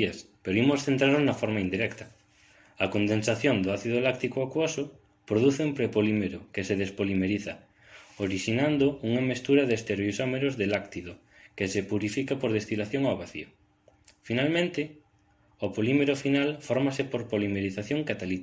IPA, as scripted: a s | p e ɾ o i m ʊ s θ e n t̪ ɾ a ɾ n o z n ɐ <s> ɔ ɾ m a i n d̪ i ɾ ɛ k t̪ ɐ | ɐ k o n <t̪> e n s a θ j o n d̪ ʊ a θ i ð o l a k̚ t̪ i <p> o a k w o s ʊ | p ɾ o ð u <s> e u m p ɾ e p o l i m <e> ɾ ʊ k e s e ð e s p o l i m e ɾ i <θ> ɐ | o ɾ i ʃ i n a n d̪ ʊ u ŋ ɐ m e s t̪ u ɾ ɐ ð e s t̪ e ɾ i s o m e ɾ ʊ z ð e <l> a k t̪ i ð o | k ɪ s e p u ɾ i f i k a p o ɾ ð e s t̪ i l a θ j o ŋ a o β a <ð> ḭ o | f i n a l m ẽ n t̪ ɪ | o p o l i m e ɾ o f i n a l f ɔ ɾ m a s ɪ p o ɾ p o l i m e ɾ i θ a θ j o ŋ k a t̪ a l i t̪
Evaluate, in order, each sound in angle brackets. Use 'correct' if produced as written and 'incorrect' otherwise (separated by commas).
incorrect, incorrect, incorrect, incorrect, correct, correct, correct, incorrect